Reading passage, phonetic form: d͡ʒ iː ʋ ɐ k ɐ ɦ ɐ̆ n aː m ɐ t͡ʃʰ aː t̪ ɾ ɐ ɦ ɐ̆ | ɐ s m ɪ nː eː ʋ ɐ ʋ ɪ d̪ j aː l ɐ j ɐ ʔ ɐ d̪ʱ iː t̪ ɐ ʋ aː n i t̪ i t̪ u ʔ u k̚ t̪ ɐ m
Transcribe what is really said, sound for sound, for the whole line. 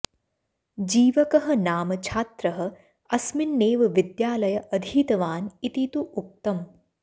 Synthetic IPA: d͡ʒ iː ʋ ɐ k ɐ ɦ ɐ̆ n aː m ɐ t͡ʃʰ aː t̪ ɾ ɐ ɦ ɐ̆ | ɐ s m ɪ nː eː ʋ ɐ ʋ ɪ d̪ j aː l ɐ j ɐ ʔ ɐ d̪ʱ iː t̪ ɐ ʋ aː n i t̪ i t̪ u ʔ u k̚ t̪ ɐ m